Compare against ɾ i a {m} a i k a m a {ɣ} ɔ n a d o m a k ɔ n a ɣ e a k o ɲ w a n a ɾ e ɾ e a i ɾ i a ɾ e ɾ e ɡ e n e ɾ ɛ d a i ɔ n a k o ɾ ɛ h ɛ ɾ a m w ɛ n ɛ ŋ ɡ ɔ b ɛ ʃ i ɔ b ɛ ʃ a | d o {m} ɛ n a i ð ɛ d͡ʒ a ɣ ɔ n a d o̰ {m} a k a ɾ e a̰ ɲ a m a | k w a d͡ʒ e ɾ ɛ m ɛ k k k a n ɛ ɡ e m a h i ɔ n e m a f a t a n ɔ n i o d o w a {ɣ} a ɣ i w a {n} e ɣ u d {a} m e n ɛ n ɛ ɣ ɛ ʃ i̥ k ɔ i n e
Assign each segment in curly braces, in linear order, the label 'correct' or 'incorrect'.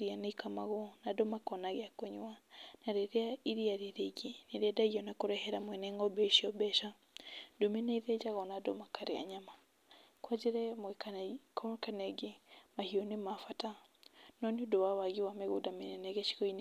incorrect: n, correct, correct, correct, incorrect: w, incorrect: m, correct

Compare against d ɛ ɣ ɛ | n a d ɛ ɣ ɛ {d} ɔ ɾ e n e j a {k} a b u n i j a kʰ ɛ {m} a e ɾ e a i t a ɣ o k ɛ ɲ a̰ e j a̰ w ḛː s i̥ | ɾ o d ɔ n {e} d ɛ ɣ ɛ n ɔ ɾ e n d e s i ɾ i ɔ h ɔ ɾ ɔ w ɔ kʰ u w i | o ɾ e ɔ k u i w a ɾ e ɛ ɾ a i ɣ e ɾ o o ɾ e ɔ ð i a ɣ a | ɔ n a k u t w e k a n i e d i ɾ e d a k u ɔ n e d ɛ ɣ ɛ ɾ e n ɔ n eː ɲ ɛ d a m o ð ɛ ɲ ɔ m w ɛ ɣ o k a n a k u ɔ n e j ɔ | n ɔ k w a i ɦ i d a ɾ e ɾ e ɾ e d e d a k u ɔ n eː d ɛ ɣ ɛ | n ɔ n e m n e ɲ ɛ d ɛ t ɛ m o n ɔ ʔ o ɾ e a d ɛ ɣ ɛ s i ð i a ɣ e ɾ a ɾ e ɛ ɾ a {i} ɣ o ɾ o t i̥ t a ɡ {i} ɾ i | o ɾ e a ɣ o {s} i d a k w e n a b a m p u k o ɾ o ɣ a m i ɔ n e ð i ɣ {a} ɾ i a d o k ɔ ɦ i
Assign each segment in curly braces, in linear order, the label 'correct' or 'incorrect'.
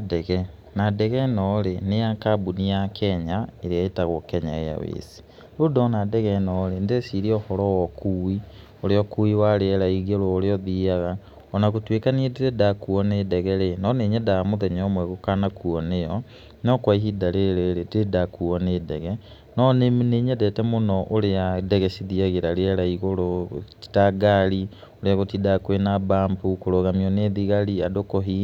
incorrect: n, correct, incorrect: ɲ, incorrect: a, correct, incorrect: a, incorrect: t, correct

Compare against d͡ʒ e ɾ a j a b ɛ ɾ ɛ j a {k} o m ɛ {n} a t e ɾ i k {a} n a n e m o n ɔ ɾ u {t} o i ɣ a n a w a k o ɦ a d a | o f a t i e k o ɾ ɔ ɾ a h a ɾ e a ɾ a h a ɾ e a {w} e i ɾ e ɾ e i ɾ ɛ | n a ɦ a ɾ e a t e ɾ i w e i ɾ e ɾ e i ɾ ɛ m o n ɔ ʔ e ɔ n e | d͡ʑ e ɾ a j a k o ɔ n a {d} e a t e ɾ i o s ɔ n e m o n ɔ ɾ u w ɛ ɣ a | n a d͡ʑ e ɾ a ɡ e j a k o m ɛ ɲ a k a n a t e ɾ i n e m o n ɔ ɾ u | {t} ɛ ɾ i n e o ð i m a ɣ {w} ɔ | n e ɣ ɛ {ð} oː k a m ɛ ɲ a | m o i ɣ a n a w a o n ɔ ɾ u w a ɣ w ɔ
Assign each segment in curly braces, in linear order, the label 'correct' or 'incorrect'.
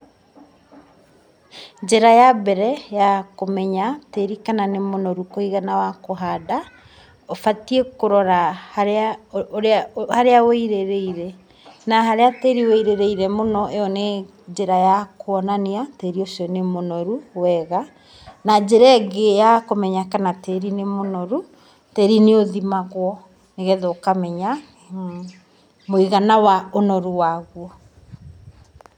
correct, incorrect: ɲ, correct, incorrect: k, correct, incorrect: n, correct, correct, correct

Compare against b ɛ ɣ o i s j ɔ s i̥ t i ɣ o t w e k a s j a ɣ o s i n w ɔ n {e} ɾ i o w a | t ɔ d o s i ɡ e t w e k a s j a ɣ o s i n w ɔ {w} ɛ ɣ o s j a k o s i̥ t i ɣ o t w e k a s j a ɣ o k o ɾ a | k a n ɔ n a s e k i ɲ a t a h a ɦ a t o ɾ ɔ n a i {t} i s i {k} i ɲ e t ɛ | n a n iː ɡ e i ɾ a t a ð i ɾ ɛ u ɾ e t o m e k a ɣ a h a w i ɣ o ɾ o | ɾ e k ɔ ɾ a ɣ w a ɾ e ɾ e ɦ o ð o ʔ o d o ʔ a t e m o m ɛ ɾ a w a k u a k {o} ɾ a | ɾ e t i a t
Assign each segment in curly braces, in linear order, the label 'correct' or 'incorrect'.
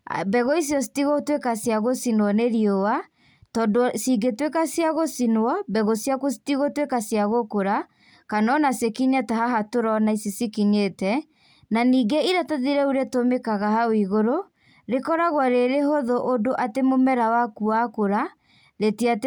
correct, incorrect: b, incorrect: s, correct, correct

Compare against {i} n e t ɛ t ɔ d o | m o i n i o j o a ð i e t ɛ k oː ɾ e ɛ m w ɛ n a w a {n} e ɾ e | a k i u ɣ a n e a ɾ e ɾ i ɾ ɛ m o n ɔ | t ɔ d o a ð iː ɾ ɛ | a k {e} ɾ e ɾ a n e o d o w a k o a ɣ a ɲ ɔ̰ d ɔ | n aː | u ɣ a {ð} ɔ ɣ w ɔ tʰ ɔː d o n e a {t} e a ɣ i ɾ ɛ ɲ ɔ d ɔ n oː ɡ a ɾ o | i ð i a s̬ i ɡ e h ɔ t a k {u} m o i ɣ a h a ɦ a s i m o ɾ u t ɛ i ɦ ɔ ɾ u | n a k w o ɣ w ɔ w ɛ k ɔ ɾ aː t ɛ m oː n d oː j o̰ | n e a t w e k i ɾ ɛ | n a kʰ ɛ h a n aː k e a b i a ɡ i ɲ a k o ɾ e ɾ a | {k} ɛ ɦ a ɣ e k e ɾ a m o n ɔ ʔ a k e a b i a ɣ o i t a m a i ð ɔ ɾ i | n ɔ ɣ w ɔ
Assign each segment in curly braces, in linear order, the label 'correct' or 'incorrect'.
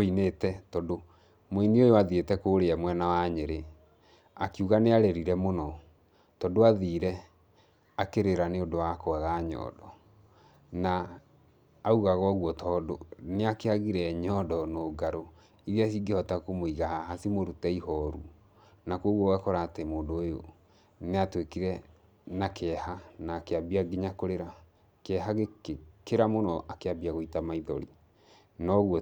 correct, incorrect: ɲ, correct, incorrect: ɣ, incorrect: k, incorrect: o, correct

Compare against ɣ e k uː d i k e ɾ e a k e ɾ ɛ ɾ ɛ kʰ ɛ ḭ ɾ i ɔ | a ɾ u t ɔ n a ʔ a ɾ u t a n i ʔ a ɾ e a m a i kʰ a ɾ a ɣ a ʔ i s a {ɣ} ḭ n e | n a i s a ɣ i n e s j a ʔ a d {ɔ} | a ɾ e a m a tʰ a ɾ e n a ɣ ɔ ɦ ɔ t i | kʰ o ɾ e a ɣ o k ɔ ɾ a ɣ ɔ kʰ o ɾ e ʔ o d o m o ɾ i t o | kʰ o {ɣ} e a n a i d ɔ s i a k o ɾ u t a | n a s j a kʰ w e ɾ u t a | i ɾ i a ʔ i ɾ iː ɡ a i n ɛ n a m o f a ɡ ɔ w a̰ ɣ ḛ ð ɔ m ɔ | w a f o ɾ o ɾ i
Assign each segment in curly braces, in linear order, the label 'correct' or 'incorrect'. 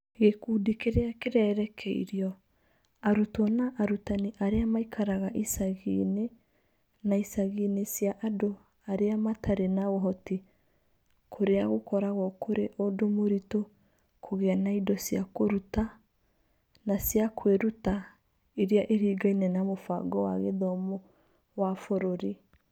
correct, incorrect: o, correct

